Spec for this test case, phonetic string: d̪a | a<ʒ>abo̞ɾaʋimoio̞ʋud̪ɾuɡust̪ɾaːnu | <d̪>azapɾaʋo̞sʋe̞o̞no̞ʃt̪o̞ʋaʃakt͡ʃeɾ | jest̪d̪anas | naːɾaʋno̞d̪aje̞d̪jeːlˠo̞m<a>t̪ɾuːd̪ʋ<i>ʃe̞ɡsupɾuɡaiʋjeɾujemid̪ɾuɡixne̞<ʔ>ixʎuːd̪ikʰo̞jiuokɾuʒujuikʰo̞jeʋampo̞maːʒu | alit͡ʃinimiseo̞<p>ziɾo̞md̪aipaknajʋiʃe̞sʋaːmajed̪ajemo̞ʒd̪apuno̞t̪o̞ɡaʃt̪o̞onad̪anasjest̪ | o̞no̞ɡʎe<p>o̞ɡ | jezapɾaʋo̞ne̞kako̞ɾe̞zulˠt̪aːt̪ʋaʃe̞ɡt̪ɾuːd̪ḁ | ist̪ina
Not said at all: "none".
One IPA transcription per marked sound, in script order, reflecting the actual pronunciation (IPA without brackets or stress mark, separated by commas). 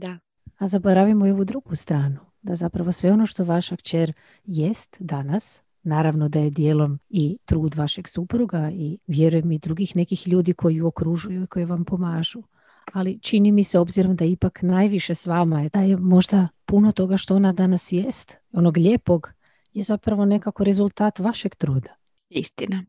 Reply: z, d̪, i, a, k, b, p